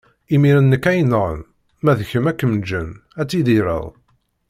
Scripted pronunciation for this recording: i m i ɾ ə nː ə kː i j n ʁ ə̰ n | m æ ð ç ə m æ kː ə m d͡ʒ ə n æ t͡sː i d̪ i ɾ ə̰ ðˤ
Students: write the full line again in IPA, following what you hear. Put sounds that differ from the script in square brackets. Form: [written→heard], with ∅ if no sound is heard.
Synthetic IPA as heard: i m i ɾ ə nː ə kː [i→æ] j n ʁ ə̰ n | m æ ð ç ə m æ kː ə m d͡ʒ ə n æ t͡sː i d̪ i ɾ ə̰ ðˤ